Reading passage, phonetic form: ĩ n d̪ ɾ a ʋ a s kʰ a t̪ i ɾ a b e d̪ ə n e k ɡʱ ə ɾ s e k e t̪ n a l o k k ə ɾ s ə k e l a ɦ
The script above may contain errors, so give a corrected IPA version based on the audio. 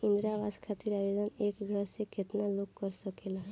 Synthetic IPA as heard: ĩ n d̪ ɾ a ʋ a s kʰ a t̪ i ɾ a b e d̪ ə n e k ɡʱ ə ɾ s e k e t̪ n a l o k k ə ɾ s ə k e l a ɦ